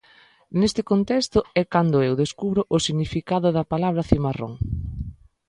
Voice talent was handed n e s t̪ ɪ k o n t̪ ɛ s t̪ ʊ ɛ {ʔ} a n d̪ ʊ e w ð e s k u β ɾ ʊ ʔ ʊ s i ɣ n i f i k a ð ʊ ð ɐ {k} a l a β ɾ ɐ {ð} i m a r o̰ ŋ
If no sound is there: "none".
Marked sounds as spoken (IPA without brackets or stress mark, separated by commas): k, p, θ